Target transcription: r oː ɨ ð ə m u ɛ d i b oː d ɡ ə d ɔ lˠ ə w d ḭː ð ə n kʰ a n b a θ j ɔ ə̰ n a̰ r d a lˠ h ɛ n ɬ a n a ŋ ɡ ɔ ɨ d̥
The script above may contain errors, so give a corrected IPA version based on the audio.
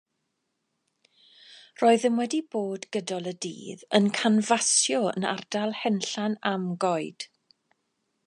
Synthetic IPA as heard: r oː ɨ ð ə m w ɛ d i b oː d ɡ ə d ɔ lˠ ə d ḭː ð ə n kʰ a n v a s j ɔ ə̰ n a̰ r d a lˠ h ɛ n ɬ a n a m ɡ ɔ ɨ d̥